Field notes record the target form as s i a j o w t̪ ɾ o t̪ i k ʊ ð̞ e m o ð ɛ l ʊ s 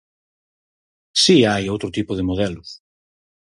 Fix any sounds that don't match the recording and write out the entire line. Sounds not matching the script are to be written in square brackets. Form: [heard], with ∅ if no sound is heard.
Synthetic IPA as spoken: s i a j o w t̪ ɾ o t̪ i [p] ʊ ð̞ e m o ð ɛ l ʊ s